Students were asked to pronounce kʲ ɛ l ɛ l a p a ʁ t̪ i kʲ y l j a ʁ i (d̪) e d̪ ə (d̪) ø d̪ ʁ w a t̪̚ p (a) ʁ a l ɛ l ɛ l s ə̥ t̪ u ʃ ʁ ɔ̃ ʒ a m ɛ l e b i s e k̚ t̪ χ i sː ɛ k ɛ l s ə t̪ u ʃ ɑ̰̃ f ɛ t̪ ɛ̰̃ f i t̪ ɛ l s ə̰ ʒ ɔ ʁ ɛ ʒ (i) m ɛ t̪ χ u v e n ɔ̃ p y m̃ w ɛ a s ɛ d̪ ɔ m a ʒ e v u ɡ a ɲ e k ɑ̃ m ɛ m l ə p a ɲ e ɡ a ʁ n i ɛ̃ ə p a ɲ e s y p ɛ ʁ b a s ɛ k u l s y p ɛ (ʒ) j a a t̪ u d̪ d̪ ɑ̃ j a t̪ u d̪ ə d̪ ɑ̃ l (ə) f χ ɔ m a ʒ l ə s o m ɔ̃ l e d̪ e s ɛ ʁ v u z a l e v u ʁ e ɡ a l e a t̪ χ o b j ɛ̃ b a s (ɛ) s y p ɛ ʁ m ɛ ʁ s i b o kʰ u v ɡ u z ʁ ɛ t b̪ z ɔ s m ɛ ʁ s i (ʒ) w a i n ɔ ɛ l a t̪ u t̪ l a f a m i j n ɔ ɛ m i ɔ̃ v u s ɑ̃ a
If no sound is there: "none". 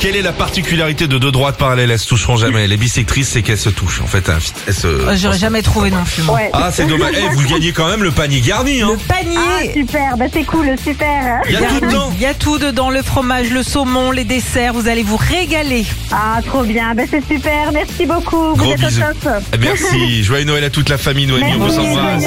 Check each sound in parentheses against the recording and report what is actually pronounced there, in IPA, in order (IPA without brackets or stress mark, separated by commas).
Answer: t̪, d̪, a, a, ʁ, ə, ɛ, ʒ